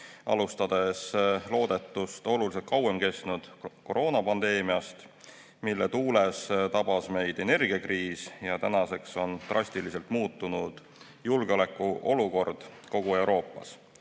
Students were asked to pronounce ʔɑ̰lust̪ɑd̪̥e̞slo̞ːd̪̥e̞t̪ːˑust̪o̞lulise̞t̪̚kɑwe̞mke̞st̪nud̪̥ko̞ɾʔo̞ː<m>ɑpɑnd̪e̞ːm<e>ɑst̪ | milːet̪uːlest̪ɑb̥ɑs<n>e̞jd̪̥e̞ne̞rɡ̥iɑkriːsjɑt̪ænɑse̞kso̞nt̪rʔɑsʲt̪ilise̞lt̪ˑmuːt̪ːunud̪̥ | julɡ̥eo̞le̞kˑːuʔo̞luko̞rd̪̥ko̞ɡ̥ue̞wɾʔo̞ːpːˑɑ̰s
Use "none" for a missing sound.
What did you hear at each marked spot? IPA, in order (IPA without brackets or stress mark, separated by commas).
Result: n, i, m